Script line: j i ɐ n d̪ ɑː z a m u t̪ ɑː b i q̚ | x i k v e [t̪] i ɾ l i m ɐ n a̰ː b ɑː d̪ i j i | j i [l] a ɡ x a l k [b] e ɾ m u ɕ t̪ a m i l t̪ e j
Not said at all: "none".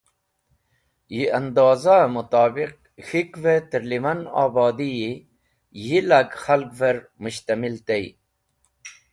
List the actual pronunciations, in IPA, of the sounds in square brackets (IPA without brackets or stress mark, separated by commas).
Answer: t̪, l, v